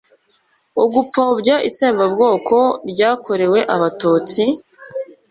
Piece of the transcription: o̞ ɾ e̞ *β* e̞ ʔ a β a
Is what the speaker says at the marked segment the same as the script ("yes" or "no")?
no